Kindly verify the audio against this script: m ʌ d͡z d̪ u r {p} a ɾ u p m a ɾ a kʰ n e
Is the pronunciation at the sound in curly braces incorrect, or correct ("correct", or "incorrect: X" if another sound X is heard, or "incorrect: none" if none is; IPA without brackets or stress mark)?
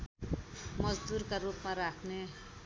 incorrect: k